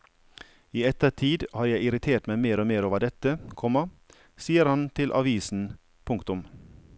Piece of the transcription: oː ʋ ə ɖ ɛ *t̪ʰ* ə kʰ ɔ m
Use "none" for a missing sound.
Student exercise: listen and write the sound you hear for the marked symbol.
t̪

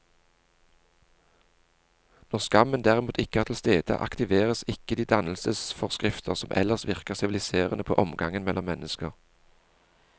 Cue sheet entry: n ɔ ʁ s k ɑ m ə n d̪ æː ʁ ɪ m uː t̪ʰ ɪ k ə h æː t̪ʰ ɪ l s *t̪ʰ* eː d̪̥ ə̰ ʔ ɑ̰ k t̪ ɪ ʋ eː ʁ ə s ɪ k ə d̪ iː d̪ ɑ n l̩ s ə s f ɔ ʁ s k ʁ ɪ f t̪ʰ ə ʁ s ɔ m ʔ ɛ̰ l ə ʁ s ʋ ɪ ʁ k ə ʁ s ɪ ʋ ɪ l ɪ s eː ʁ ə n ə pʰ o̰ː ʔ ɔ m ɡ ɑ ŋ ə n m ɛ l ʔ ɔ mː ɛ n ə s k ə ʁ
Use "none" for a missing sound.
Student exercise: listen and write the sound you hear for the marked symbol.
t̪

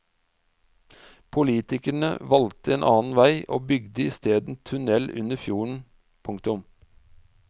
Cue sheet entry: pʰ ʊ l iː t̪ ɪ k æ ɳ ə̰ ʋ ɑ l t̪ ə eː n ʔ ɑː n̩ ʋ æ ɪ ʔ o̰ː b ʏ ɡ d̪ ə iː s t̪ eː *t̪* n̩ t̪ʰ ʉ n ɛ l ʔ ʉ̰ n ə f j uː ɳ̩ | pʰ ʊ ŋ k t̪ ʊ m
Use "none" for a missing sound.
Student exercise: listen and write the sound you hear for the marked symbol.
d̪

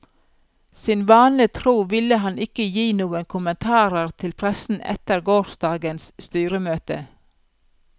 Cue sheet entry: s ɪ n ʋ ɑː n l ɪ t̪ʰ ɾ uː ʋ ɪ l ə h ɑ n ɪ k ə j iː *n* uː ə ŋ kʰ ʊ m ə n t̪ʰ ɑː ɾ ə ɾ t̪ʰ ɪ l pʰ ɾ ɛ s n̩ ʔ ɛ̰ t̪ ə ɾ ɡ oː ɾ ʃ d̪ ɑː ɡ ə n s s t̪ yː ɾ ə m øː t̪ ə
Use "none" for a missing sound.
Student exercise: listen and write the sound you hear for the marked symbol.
n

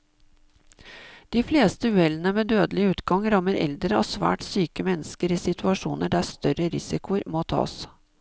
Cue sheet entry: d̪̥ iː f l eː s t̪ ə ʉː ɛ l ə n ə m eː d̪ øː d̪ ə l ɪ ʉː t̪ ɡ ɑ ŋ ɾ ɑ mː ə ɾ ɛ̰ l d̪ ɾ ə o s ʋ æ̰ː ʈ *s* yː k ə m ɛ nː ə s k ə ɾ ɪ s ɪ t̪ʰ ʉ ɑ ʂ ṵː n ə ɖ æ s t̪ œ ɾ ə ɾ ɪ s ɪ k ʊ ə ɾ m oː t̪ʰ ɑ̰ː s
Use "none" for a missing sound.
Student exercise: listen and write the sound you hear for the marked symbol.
s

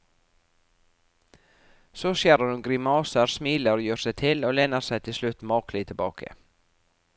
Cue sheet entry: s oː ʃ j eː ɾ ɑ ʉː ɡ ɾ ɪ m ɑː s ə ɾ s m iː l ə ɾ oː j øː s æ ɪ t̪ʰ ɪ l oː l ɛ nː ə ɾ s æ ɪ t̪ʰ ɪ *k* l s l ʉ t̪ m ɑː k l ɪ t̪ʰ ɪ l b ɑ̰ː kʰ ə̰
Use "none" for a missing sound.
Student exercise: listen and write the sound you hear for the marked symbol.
none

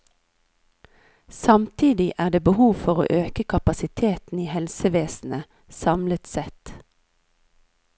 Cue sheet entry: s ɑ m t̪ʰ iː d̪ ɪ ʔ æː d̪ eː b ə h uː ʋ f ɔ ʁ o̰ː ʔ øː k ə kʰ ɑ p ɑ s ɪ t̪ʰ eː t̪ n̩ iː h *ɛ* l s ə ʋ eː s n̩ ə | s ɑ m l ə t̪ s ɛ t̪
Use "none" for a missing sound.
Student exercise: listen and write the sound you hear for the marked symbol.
ɛ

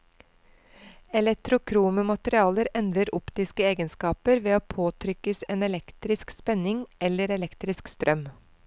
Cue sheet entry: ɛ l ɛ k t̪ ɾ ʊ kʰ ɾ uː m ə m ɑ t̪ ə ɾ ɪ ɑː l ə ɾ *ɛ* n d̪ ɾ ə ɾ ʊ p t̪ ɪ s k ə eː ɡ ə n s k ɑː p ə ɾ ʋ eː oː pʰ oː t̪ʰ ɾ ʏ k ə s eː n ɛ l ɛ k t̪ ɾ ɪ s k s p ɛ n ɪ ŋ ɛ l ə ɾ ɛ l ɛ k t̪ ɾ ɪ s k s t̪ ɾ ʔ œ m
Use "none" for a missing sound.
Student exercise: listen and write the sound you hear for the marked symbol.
ɛ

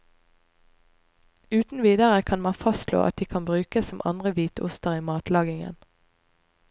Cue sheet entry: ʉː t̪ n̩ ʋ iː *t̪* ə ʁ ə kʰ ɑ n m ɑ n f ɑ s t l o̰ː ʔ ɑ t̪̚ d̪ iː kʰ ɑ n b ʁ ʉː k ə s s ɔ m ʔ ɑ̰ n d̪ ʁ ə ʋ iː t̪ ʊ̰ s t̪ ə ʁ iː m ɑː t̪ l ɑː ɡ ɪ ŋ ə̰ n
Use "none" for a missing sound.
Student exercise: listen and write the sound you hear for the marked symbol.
d̪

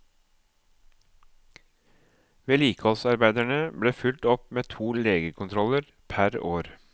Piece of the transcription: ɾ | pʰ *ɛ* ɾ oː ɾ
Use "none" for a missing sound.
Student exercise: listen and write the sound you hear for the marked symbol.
æ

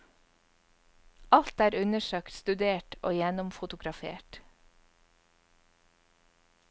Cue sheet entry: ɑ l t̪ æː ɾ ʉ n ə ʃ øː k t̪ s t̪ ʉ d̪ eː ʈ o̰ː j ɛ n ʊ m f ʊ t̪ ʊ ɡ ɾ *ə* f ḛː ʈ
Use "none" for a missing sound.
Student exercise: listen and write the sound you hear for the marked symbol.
ɑ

